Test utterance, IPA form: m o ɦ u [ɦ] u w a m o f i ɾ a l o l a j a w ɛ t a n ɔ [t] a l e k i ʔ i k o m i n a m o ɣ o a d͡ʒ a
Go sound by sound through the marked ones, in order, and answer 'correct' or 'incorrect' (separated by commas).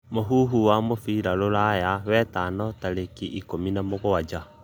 correct, correct